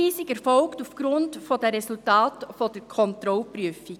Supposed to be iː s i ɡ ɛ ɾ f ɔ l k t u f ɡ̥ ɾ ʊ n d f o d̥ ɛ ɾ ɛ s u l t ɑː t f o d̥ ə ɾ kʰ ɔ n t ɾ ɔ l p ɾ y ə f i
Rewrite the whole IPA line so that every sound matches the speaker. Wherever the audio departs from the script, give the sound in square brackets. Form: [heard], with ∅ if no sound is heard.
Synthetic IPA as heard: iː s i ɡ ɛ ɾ f ɔ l k t u f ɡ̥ ɾ ʊ n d f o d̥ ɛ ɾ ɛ s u l t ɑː t f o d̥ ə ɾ kʰ ɔ n t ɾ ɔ l p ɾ y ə f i